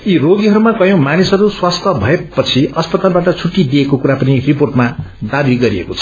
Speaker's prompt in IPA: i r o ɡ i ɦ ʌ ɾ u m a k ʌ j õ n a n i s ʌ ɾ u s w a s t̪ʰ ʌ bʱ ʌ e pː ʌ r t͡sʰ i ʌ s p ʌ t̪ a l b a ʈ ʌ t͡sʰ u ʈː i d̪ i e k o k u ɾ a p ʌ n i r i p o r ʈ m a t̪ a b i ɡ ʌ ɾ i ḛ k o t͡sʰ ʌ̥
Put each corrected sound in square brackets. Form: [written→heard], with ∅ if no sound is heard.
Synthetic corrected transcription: i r o ɡ i ɦ ʌ ɾ u m a k ʌ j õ [n→m] a n i s ʌ ɾ u s w a s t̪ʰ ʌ bʱ ʌ e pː ʌ [r→∅] t͡sʰ i ʌ s p ʌ t̪ a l b a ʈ ʌ t͡sʰ u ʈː i d̪ i e k o k u ɾ a p ʌ n i r i p o r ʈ m a [t̪→d̪] a b i ɡ ʌ ɾ i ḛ k o t͡sʰ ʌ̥